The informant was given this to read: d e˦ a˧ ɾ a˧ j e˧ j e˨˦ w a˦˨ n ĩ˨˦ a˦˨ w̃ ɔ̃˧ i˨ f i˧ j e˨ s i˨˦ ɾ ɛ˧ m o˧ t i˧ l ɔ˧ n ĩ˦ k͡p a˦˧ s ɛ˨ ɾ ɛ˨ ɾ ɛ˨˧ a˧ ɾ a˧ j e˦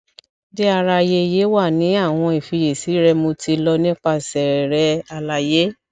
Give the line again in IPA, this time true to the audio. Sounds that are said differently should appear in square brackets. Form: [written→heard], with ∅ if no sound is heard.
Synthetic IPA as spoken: d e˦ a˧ ɾ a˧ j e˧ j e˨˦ w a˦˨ n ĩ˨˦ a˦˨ w̃ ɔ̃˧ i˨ f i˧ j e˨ s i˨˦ ɾ ɛ˧ m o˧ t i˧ l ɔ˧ n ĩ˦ k͡p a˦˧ s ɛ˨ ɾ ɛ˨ ɾ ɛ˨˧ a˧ [ɾ→l] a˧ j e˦